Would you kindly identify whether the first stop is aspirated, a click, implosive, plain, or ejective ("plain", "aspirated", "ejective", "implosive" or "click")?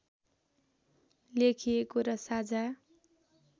aspirated